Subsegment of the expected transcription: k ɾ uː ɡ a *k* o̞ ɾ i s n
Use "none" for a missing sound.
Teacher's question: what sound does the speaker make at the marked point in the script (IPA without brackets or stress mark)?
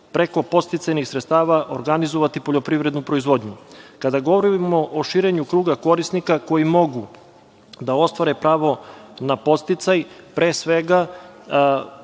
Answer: k